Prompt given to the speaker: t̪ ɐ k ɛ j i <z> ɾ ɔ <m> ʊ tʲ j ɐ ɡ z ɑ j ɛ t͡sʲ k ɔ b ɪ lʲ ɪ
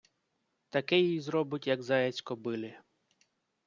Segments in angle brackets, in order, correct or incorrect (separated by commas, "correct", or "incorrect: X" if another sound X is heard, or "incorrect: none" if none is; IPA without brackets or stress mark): correct, incorrect: b